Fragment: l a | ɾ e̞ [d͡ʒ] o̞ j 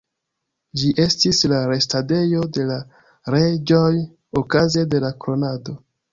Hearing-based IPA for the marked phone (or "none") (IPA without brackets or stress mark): d͡ʒ